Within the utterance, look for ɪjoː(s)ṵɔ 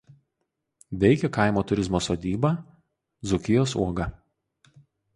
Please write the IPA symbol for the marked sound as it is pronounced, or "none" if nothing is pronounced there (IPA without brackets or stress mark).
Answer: s